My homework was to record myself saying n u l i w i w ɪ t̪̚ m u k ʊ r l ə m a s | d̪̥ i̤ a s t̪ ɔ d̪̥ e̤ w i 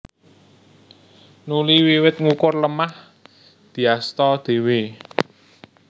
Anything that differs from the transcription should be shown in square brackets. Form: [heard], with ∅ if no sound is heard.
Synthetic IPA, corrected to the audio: n u l i w i w ɪ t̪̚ [ŋ] u k ʊ r l ə m a [h] | d̪̥ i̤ a s t̪ ɔ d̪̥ e̤ w [e]